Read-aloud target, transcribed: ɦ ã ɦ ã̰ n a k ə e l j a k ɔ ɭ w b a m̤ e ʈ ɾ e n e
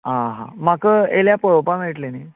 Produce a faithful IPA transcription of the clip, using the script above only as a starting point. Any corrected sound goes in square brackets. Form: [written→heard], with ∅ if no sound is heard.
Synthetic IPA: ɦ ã ɦ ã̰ [n→m] a k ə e l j a [k→p] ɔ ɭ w [b→p] a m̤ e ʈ [ɾ→l] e n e

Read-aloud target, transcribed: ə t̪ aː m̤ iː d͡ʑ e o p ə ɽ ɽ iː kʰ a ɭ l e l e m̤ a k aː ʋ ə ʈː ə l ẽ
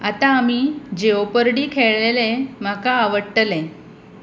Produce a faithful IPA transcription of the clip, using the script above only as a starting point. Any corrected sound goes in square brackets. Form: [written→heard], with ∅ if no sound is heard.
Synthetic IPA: [ə→a] t̪ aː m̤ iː d͡ʑ e o p ə [ɽ→ɾ] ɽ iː kʰ [a→e] ɭ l e l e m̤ a k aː ʋ ə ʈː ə l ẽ

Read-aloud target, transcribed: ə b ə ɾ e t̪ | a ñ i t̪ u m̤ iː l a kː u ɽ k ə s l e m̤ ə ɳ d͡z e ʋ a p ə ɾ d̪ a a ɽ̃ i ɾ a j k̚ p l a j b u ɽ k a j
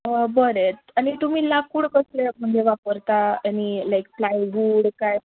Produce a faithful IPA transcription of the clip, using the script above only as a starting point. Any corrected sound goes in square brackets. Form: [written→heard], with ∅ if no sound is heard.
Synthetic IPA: ə b ə ɾ e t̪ | a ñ i t̪ u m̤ iː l a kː u ɽ k ə s l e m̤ ə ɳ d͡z e ʋ a p ə ɾ [d̪→t̪] a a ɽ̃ i [ɾ→l] a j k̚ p l a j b u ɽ k a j

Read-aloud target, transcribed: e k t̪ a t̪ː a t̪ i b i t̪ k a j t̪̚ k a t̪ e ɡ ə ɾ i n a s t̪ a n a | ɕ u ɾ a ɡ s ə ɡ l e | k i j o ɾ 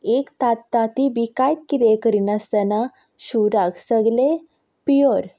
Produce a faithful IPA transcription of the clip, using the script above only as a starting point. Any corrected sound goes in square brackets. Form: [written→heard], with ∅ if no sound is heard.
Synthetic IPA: e k t̪ a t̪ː a t̪ i b i [t̪→∅] k a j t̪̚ k [a→i] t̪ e [ɡ→k] ə ɾ i n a s t̪ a n a | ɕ u ɾ a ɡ s ə ɡ l e | [k→p] i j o ɾ

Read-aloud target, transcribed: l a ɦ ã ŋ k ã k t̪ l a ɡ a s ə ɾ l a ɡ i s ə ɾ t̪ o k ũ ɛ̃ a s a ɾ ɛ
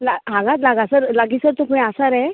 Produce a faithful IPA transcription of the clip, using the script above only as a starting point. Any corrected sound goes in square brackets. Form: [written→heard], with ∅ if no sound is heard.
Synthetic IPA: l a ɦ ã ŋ [k→ɡ] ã [k→∅] t̪ l a ɡ a s ə ɾ l a ɡ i s ə ɾ t̪ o k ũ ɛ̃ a s a ɾ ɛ

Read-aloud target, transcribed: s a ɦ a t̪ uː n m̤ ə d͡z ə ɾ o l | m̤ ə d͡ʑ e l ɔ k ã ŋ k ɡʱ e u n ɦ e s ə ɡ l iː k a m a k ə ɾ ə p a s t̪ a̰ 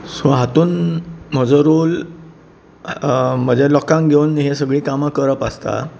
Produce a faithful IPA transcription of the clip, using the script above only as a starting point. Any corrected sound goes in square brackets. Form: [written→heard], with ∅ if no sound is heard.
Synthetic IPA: s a ɦ a t̪ uː n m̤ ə d͡z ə ɾ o l | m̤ ə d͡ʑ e l ɔ k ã ŋ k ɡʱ e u n ɦ e s ə ɡ [l→ɭ] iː k a m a k ə ɾ ə p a s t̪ a̰

